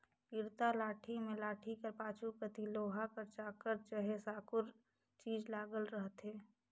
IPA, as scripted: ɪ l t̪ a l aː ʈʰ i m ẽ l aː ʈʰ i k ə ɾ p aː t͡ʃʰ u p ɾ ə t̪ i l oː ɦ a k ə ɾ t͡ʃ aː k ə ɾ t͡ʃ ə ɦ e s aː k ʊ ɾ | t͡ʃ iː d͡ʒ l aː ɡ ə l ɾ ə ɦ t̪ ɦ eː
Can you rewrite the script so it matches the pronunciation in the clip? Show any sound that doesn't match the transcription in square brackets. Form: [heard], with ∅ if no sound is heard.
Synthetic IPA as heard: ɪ [ɾ] t̪ a l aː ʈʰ i m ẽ l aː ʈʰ i k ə ɾ p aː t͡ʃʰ u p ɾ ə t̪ i l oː ɦ a k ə ɾ t͡ʃ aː k ə ɾ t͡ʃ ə ɦ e s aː k ʊ ɾ | t͡ʃ iː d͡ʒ l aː ɡ ə l ɾ ə ɦ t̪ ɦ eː